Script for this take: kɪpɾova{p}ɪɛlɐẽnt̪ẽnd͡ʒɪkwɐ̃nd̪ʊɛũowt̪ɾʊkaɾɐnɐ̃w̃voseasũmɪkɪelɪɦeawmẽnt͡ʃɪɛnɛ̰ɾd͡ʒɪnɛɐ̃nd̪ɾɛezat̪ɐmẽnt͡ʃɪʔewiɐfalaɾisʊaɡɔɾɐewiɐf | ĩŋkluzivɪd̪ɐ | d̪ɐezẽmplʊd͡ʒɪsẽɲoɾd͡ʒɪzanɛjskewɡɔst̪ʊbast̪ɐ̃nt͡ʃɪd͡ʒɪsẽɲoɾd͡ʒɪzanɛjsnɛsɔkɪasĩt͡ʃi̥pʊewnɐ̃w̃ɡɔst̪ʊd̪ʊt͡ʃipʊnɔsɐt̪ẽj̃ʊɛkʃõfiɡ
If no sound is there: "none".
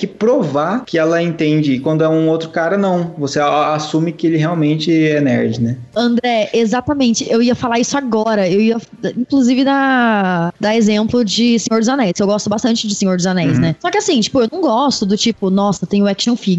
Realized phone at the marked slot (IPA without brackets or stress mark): k